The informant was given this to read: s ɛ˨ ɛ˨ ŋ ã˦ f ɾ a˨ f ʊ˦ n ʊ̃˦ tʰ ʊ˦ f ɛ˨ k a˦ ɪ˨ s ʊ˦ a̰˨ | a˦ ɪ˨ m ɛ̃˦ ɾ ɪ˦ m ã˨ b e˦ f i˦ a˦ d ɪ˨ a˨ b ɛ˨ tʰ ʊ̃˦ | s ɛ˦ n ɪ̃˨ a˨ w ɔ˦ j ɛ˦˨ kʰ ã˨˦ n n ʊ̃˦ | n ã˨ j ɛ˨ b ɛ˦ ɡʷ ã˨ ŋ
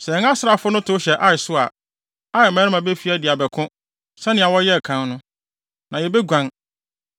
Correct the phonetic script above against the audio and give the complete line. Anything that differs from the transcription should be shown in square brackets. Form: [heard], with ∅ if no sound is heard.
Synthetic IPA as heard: s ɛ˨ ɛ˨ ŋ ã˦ [s] ɾ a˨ f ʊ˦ n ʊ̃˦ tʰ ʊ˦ [ɕ] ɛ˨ [ʔ] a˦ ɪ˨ s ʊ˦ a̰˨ | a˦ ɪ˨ m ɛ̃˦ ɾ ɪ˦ m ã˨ b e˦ f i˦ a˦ d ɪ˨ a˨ b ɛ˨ [kʰ] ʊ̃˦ | s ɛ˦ n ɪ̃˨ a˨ w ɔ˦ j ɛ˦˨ kʰ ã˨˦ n n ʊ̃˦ | n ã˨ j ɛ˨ b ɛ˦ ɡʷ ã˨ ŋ